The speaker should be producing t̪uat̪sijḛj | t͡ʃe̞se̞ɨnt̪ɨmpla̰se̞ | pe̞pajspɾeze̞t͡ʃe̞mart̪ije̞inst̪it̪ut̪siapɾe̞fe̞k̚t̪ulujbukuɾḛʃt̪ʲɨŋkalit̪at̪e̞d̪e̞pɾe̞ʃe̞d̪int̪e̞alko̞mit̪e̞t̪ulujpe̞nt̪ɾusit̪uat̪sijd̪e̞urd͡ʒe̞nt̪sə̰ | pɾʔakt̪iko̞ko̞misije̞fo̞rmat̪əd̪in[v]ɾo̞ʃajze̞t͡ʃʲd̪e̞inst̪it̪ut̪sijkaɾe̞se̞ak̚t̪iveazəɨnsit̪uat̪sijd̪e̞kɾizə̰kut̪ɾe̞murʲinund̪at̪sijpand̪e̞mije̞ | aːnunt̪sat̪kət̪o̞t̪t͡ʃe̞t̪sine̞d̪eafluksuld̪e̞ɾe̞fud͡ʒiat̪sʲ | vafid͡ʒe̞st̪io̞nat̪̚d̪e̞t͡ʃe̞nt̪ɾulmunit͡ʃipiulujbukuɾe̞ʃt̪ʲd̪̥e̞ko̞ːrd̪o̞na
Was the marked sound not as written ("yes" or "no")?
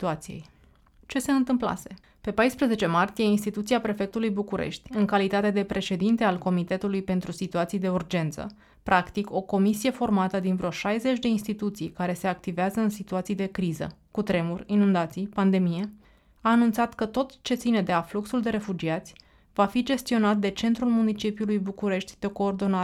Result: no